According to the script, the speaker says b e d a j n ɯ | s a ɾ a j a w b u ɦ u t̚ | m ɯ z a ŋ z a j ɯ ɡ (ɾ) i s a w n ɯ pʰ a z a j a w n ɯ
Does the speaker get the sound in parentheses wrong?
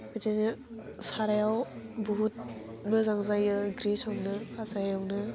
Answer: no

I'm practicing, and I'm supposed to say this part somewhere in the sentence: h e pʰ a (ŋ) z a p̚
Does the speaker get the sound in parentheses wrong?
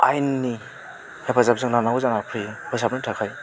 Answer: yes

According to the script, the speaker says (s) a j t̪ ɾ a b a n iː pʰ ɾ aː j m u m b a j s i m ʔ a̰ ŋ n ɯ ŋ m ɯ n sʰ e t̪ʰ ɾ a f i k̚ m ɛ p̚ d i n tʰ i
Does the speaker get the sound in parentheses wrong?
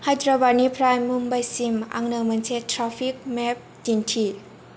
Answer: yes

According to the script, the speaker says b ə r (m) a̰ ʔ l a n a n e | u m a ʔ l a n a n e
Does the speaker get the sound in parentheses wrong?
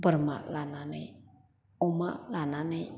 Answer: no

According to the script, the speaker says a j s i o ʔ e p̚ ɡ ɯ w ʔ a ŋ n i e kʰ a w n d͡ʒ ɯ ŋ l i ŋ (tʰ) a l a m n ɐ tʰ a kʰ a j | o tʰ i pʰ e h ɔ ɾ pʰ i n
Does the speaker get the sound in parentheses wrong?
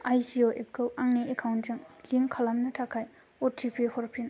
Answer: yes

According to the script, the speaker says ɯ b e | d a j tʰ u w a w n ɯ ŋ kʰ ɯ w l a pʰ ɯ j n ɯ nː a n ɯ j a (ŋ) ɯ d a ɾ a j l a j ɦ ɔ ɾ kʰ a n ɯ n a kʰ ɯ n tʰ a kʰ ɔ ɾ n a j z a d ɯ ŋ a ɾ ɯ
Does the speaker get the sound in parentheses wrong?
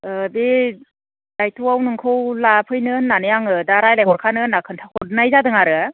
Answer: no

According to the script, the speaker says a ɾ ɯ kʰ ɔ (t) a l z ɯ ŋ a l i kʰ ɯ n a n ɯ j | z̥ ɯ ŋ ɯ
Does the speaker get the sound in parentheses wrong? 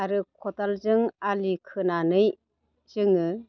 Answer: no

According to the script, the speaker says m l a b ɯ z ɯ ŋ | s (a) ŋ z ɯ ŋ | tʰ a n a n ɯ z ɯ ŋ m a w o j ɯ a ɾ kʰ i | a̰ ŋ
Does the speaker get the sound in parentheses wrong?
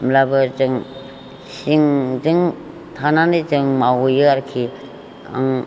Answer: yes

